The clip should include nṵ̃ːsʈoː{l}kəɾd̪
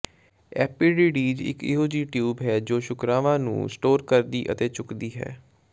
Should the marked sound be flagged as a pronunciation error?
yes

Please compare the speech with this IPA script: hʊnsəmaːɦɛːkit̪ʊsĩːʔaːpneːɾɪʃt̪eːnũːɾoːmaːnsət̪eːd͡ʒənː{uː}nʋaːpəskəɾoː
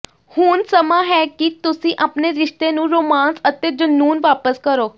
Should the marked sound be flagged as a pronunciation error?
no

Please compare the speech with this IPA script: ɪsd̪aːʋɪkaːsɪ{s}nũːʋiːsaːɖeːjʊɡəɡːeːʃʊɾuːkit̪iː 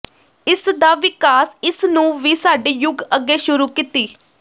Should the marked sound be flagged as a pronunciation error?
no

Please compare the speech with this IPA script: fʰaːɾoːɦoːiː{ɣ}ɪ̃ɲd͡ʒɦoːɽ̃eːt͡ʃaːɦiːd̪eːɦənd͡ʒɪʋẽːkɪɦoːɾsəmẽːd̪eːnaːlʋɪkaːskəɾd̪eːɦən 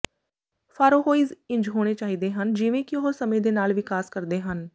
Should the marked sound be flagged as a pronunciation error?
yes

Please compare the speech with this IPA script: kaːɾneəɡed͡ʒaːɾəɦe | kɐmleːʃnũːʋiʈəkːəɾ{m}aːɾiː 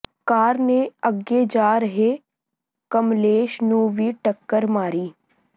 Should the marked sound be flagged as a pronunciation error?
no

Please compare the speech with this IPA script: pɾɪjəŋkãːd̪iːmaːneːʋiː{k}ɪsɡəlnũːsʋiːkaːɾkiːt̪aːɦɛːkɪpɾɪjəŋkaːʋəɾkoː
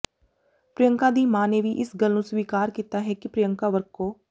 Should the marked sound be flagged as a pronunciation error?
yes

